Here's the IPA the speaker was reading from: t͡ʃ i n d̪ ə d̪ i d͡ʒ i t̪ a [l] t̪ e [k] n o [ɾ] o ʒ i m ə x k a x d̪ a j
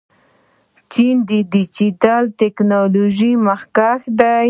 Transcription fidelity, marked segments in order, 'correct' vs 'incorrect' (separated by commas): correct, correct, incorrect